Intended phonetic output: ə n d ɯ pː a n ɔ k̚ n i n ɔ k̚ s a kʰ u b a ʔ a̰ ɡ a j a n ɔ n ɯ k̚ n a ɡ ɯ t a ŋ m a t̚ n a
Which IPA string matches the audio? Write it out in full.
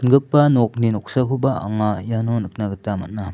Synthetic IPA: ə n ɡ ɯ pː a n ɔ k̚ n i n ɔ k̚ s a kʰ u b a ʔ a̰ ŋ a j a n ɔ n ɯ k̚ n a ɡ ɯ t a m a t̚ n a